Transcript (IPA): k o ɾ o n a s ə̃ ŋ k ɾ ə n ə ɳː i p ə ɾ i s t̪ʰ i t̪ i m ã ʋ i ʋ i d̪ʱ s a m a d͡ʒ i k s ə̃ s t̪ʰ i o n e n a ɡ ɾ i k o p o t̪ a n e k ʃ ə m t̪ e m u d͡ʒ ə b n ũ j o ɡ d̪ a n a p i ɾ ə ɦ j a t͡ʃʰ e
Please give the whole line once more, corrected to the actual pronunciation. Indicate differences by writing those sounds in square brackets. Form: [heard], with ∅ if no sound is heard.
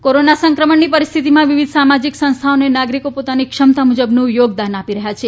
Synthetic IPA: k o ɾ o n a s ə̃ ŋ k ɾ ə [m] ə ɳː i p ə ɾ i s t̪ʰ i t̪ i m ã ʋ i ʋ i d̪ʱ s a m a d͡ʒ i k s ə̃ s t̪ʰ [a] o n e n a ɡ ɾ i k o p o t̪ a n [i] k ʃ ə m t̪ [a] m u d͡ʒ ə b n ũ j o ɡ d̪ a n a p i ɾ ə ɦ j a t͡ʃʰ e